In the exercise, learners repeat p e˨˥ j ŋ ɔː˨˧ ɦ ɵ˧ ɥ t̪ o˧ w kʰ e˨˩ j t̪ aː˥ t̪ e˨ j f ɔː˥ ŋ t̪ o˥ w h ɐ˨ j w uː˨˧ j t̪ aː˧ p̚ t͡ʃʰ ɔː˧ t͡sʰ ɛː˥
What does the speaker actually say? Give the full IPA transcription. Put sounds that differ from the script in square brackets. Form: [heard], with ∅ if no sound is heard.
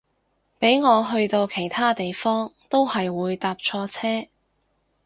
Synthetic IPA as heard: p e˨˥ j ŋ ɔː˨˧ ɦ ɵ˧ ɥ t̪ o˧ w kʰ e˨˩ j [t̪ʰ] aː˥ t̪ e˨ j f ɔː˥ ŋ t̪ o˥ w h ɐ˨ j w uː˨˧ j t̪ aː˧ p̚ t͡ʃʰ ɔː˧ t͡sʰ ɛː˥